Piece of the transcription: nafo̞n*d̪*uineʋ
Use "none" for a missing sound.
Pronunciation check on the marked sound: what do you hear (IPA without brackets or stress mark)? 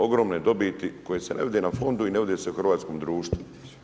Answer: d̪